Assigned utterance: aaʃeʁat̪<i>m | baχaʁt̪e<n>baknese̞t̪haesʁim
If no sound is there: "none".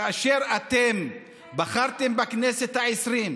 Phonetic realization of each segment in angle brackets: e, m

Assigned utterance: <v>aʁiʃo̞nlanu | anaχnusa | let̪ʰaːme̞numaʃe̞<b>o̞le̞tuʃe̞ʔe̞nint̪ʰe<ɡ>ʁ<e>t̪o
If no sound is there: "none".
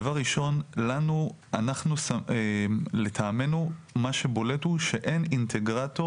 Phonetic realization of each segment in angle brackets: v, b, ɡ, a

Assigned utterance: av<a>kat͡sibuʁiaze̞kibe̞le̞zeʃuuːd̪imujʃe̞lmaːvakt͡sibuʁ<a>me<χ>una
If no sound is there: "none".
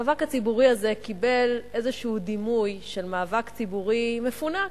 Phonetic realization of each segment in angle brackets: a, i, f

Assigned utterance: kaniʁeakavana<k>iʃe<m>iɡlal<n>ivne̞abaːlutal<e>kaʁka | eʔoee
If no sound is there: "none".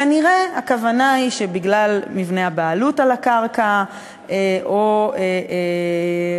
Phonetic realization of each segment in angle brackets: none, b, m, a

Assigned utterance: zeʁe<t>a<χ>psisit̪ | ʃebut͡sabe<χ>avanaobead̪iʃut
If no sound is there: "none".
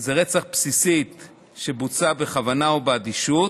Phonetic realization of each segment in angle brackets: t͡s, χ, χ

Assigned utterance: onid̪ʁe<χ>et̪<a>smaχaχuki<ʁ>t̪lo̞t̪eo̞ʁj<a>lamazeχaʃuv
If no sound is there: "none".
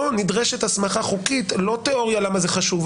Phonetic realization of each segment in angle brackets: ʃ, a, none, a

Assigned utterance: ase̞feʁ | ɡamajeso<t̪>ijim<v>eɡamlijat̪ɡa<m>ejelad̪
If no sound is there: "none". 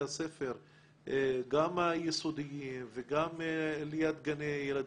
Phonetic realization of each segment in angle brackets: d̪, v, n

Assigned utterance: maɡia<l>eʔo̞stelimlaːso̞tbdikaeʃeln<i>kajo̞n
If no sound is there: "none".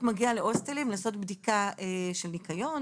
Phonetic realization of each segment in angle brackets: l, i

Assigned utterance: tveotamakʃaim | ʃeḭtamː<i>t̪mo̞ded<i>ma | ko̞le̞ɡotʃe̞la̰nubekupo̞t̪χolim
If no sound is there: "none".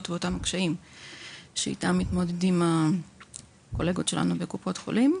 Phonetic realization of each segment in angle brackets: i, i

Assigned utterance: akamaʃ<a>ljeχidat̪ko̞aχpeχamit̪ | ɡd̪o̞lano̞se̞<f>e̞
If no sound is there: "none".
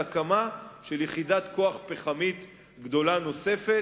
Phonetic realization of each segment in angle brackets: e, f

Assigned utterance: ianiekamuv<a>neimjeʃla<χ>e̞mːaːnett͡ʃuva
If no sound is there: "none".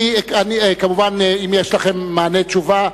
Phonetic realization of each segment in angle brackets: a, χ

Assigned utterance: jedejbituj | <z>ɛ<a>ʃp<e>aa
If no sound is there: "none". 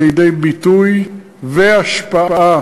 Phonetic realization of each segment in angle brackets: v, a, a

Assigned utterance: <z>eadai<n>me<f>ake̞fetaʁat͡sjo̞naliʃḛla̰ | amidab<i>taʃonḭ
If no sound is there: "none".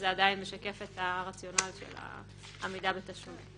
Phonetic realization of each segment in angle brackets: z, n, ʃ, e

